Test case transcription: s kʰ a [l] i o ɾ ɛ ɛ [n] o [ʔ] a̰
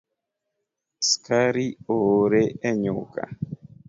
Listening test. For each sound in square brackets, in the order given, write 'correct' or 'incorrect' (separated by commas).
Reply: incorrect, incorrect, incorrect